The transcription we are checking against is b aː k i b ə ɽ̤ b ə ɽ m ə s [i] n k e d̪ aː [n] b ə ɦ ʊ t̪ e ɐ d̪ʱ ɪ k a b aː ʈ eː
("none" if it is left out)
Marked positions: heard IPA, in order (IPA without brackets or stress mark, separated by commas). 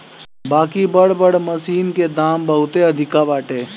iː, m